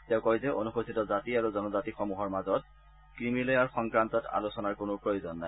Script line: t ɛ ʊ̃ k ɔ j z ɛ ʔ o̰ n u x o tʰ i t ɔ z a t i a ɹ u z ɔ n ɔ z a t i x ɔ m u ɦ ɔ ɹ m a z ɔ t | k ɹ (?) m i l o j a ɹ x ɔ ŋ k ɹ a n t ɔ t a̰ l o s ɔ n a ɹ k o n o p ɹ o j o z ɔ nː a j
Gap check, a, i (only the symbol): i